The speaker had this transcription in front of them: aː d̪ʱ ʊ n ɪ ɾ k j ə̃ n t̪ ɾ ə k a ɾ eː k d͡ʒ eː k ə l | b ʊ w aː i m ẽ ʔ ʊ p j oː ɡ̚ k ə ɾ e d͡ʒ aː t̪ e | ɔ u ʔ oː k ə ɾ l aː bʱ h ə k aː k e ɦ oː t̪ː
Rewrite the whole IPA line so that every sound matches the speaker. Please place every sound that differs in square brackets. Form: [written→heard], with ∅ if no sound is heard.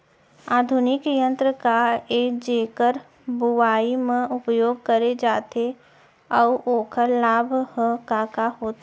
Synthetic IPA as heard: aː d̪ʱ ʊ n ɪ [ɾ→∅] k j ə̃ n t̪ ɾ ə k a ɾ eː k d͡ʒ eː k ə [l→ɾ] | b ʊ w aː i m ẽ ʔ ʊ p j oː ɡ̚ k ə ɾ e d͡ʒ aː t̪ e | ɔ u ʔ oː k ə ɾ l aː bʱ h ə k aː k [e→a] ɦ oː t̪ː

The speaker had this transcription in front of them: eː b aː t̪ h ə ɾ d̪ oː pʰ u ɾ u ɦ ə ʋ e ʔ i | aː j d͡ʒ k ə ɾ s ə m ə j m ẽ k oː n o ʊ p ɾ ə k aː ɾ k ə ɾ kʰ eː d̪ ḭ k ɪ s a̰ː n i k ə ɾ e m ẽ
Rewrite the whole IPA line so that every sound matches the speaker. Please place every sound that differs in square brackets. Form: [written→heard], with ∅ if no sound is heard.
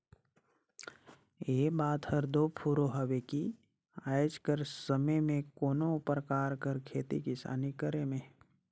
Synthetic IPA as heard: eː b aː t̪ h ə ɾ d̪ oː pʰ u ɾ [u→o] ɦ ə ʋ e [ʔ→k] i | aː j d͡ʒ k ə ɾ s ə m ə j m ẽ k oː n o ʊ p ɾ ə k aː ɾ k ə ɾ kʰ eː [d̪→t̪] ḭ k ɪ s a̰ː n i k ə ɾ e m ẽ

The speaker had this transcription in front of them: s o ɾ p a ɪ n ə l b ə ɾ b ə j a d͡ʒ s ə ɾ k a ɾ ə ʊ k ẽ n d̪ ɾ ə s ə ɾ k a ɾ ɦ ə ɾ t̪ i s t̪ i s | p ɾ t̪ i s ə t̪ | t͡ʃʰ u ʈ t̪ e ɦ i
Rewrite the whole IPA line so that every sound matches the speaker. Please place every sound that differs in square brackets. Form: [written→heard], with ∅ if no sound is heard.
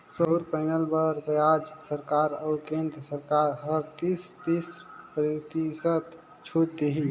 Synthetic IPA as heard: s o ɾ p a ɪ n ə l b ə ɾ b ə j a d͡ʒ s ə ɾ k a ɾ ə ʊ k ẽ n d̪ ɾ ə s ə ɾ k a ɾ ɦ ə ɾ t̪ i s t̪ i s | p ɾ t̪ i s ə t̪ | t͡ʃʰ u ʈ t̪ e ɦ i

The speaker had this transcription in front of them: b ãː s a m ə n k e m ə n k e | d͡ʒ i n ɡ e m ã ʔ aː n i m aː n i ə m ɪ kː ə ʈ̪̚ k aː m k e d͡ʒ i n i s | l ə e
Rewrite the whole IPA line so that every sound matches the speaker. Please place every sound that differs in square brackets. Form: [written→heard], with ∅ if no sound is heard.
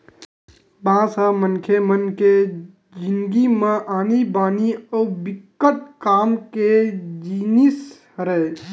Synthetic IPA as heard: b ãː s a m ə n [k→kʰ] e m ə n k e | d͡ʒ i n ɡ [e→i] m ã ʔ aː n i [m→b] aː n i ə [m→b] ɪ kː ə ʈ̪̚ k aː m k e d͡ʒ i n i s | [l→ɾ] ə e

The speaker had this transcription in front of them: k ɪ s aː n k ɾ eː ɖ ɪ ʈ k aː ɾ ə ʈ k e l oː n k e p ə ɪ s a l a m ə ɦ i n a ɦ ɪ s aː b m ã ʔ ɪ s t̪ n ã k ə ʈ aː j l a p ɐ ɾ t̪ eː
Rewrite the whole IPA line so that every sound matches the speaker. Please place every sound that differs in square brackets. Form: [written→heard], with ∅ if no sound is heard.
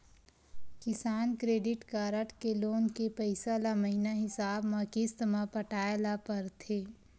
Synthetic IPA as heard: k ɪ s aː n k ɾ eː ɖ ɪ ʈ k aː ɾ ə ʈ k e l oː n k e p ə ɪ s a l a m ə ɦ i n a ɦ ɪ s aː b m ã [ʔ→k] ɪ s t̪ [n→m] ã [k→p] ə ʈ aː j l a p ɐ ɾ [t̪→t̪ʰ] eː

